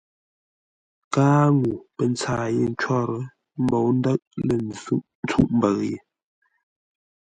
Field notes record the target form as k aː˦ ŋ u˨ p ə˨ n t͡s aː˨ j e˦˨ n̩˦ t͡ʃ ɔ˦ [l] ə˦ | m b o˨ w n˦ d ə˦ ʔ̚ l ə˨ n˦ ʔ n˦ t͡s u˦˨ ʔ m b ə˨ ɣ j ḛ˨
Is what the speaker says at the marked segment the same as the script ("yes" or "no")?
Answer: no